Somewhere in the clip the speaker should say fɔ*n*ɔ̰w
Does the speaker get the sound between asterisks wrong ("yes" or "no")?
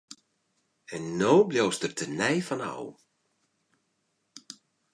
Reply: no